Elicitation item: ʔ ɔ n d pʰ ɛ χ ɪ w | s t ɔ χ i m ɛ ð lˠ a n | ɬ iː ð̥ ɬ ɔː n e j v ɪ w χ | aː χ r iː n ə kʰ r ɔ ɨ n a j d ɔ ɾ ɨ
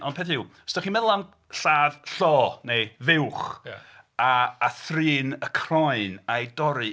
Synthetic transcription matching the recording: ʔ ɔ n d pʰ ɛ θ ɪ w | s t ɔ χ i m ɛ ð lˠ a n | ɬ aː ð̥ ɬ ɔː n e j v ɪ w χ | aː θ r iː n ə kʰ r ɔ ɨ n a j d ɔ ɾ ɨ